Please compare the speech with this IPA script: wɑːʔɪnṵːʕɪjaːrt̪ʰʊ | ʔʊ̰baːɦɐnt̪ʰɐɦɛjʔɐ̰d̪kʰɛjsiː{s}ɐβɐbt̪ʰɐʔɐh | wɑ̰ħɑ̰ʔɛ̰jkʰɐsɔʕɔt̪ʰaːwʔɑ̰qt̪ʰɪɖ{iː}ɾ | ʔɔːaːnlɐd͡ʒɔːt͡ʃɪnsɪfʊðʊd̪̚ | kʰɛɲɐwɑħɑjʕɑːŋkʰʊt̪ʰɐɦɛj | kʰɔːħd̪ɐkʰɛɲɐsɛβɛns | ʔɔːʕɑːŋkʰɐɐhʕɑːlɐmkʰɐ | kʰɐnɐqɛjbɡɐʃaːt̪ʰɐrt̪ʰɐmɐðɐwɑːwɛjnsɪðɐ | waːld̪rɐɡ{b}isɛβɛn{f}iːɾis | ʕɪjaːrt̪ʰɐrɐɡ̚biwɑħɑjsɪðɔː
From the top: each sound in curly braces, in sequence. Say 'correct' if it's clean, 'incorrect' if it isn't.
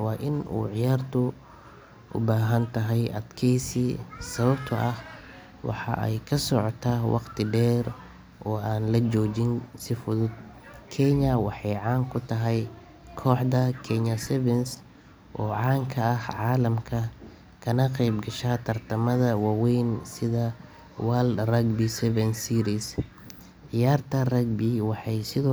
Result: correct, incorrect: ɛː, correct, incorrect: s

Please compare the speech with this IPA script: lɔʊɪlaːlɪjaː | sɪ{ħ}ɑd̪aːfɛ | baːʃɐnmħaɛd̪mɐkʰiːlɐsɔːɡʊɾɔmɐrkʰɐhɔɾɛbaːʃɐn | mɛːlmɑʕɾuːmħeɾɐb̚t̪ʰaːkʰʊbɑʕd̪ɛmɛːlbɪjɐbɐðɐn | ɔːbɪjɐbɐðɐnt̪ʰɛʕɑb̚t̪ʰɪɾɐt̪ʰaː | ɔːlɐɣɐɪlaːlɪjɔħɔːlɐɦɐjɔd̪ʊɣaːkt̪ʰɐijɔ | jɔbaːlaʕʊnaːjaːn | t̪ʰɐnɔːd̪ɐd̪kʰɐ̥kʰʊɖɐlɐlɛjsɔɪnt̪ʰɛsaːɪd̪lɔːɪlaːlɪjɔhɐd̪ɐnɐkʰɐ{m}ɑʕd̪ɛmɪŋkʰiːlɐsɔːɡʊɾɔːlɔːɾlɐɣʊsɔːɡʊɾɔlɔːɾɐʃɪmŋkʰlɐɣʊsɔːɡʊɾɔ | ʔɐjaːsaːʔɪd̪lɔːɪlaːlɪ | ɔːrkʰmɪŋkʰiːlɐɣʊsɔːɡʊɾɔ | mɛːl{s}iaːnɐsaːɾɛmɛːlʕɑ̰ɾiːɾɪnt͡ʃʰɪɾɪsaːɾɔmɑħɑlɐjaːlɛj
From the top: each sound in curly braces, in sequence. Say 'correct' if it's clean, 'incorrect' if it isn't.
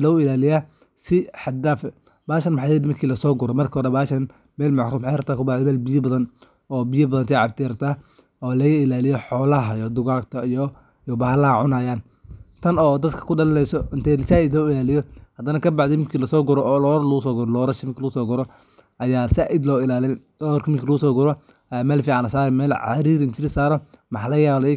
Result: correct, incorrect: b, incorrect: f

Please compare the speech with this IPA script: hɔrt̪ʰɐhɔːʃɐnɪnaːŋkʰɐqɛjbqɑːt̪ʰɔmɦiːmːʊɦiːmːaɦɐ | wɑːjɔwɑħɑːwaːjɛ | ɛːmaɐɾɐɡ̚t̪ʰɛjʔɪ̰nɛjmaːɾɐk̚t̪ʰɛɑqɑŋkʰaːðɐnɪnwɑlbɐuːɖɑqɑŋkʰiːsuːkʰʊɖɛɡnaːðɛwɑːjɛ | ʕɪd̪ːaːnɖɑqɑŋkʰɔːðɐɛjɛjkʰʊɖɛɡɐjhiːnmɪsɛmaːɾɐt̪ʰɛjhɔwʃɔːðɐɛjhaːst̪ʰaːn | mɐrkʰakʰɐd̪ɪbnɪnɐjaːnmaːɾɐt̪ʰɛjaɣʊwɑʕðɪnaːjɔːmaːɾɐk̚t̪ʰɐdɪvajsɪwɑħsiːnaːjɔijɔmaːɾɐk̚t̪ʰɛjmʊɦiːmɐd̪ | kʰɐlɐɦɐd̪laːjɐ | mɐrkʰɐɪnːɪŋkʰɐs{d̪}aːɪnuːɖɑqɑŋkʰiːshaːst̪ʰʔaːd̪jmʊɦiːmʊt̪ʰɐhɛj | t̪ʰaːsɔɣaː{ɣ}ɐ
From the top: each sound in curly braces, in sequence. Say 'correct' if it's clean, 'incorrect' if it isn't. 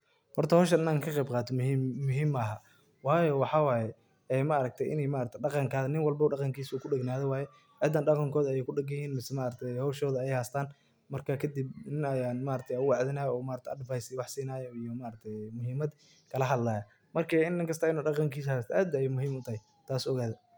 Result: incorrect: t̪, incorrect: ð

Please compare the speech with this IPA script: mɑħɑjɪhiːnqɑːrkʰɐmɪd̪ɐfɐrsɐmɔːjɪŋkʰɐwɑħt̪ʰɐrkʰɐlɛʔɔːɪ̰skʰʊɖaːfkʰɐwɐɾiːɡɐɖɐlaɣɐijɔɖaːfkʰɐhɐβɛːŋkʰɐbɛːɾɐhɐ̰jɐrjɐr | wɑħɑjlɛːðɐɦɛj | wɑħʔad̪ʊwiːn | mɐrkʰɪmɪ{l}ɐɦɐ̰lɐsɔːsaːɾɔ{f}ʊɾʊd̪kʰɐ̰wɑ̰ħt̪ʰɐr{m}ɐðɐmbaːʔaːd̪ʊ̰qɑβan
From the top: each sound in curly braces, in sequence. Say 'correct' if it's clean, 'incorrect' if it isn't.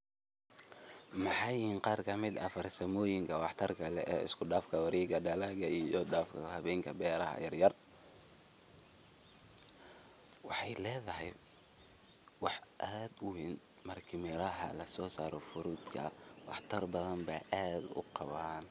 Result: incorrect: ɾ, correct, incorrect: b

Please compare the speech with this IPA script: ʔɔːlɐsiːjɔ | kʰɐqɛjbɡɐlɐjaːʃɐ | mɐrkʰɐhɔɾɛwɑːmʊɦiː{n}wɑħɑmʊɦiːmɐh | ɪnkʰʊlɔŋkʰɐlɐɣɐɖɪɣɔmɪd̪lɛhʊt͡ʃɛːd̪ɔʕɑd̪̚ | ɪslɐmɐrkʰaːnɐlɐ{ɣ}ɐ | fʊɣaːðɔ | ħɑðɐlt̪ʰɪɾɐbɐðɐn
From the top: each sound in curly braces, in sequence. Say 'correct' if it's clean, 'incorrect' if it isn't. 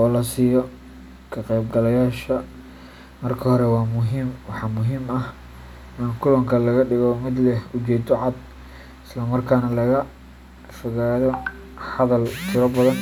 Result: incorrect: m, correct

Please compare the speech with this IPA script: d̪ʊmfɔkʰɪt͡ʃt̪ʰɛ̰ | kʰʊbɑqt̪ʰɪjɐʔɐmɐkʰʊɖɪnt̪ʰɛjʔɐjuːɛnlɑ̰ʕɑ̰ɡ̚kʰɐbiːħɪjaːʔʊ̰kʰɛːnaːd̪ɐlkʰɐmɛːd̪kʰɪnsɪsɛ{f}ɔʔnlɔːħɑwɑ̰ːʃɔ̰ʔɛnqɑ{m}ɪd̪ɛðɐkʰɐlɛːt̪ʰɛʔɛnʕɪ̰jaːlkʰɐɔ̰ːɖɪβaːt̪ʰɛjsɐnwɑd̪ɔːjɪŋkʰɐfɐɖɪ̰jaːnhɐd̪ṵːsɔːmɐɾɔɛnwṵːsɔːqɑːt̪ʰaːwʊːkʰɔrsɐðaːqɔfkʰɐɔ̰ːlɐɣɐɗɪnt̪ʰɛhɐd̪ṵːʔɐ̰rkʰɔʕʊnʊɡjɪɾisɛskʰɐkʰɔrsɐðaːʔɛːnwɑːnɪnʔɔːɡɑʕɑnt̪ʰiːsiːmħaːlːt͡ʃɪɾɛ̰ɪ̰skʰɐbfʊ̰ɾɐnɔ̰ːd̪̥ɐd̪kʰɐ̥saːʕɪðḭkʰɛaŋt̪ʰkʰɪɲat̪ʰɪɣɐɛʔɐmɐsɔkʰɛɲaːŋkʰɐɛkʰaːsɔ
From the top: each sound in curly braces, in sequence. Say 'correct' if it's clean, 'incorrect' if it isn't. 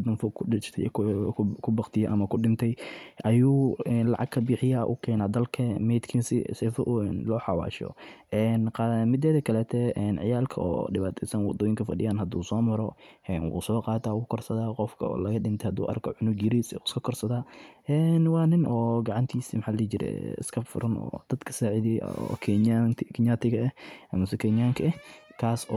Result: correct, correct

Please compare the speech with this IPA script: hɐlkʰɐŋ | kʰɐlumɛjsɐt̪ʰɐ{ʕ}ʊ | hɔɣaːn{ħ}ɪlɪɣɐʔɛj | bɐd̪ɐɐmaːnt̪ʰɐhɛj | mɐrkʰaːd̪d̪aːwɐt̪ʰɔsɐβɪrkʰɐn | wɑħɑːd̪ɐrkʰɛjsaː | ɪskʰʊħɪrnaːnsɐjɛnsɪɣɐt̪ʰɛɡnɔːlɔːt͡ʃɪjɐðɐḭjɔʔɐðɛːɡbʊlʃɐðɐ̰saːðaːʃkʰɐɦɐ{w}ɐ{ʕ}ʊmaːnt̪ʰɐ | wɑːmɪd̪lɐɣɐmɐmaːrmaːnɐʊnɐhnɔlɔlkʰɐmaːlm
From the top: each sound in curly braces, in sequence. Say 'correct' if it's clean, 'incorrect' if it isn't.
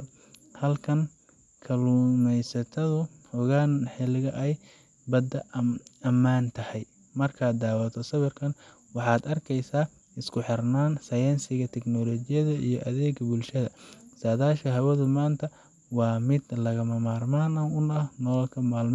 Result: incorrect: ð, correct, correct, incorrect: ð

